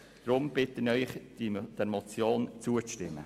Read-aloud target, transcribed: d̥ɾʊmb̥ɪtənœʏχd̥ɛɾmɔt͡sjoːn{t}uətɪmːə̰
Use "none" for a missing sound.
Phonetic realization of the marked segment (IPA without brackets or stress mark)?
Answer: t͡s